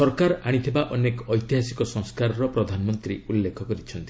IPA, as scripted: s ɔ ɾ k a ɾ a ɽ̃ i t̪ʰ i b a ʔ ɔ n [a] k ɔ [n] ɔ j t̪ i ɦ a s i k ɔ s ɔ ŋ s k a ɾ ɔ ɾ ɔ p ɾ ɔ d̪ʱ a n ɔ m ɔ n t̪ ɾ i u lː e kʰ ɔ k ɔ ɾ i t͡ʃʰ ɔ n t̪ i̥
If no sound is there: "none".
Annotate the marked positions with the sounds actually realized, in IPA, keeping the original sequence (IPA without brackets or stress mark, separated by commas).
e, none